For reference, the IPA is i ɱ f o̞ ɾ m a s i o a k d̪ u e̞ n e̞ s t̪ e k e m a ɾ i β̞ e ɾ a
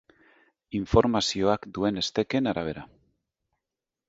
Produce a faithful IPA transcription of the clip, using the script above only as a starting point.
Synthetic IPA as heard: i ɱ f o̞ ɾ m a s i o a k d̪ u e̞ n e̞ s t̪ e k e n a ɾ a β̞ e ɾ a